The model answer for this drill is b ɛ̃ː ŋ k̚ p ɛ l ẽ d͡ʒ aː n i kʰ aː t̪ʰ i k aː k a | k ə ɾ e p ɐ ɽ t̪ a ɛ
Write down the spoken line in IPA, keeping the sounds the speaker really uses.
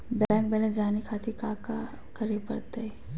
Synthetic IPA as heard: b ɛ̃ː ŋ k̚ b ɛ l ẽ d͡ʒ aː n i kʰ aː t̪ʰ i k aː k a | k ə ɾ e p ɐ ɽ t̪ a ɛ